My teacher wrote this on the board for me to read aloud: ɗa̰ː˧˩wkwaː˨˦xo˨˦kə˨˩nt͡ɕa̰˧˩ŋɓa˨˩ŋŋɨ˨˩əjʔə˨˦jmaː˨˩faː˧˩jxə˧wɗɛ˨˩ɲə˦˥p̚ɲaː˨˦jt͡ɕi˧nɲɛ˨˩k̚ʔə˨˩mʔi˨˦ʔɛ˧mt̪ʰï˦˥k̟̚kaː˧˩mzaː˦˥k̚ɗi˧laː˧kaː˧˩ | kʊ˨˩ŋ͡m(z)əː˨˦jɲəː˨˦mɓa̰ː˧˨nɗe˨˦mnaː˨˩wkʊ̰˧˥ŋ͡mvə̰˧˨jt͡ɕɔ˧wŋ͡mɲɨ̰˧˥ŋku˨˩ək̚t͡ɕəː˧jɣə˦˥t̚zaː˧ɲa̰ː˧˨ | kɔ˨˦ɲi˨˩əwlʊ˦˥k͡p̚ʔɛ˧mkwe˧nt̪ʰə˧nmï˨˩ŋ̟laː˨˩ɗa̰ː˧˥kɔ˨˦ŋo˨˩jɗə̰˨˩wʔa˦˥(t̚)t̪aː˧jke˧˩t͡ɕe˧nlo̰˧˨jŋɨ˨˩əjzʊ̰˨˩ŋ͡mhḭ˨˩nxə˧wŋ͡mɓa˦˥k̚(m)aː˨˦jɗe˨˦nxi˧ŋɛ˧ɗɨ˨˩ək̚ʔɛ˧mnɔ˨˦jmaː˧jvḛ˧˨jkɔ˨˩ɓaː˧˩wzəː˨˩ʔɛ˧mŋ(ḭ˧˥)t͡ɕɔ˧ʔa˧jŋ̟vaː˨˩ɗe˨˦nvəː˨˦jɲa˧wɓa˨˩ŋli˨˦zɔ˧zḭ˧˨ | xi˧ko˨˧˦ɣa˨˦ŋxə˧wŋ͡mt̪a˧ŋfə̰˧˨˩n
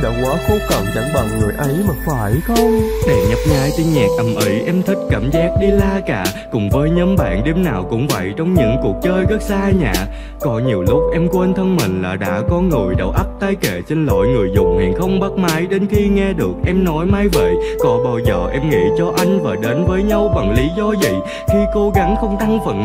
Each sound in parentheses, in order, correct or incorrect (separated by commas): incorrect, incorrect, correct, correct